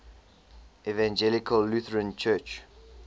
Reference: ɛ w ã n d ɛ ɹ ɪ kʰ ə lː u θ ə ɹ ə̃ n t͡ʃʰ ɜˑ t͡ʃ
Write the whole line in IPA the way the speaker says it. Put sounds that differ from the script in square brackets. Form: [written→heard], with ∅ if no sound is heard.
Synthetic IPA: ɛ [w→v] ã n [d→d͡ʒ] ɛ [ɹ→l] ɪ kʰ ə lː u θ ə ɹ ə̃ n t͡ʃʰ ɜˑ t͡ʃ

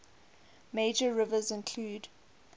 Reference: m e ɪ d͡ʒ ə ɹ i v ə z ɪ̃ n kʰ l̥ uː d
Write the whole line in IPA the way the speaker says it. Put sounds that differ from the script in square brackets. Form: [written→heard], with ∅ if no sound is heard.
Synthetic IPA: m e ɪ d͡ʒ ə ɹ [i→ɪ] v ə z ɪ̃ n kʰ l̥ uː d

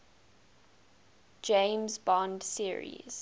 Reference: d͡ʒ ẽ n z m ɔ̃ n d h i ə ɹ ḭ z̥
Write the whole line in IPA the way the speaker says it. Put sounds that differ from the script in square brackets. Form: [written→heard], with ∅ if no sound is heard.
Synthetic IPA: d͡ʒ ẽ [n→m] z [m→b] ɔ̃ n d [h→s] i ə ɹ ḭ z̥

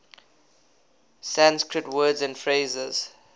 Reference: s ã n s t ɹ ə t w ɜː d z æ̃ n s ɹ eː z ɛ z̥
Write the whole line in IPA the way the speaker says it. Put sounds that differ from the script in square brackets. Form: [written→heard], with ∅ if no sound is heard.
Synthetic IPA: s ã n s [t→k] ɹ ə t w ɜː d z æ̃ n [s→f] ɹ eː z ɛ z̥

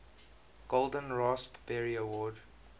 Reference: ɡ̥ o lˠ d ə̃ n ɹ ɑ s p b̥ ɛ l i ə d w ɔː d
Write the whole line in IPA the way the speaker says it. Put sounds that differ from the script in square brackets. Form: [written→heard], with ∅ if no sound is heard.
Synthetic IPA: ɡ̥ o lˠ d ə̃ n ɹ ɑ s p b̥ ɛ [l→ɹ] i ə [d→∅] w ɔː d

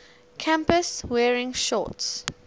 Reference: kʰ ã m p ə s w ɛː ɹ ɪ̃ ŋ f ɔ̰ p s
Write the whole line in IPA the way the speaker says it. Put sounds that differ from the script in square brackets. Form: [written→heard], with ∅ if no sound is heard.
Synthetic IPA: kʰ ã m p ə s w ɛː ɹ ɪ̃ ŋ [f→ʃ] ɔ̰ [p→t] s

